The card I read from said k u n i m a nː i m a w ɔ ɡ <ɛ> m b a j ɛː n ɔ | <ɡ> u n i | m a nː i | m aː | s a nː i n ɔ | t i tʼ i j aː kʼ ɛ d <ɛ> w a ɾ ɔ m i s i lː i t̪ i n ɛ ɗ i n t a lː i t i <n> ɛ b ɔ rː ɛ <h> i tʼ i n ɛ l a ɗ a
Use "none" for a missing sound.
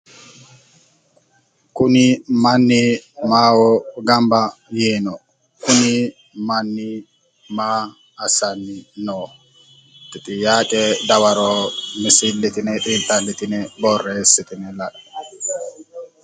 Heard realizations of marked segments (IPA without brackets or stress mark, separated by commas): a, k, a, n, s